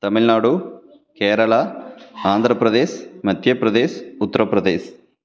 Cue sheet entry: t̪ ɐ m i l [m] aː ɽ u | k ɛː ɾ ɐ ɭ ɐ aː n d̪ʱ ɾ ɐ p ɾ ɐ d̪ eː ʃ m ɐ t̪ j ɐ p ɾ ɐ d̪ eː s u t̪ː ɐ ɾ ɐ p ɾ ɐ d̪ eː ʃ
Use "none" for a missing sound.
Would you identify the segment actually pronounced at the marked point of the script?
n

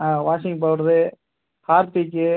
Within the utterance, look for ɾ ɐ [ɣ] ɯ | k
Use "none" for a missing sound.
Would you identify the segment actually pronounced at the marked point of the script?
ð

